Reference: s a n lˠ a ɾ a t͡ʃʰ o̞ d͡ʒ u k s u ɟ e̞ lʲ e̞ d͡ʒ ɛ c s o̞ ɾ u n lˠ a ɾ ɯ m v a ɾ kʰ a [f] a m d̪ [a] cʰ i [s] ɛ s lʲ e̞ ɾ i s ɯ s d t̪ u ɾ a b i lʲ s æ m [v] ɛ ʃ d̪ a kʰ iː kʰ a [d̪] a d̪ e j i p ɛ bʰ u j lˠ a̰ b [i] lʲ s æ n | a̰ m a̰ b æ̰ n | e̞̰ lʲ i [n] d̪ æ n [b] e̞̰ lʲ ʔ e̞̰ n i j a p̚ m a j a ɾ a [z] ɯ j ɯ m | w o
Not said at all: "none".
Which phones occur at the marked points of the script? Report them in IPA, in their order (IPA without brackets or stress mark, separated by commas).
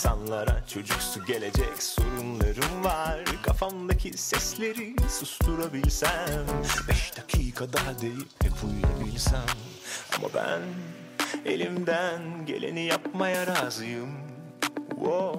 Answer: f, a, s, b, d̪, i, m, ɟ, z